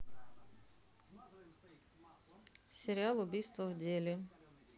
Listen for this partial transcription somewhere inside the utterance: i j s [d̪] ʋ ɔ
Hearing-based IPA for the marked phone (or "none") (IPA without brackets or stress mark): t̪